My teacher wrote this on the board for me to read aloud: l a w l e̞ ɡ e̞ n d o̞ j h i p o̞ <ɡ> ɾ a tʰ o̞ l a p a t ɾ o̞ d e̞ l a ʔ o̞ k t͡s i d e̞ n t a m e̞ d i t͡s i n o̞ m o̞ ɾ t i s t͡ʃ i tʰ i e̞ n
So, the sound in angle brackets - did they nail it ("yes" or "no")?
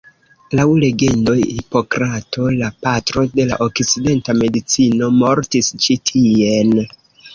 no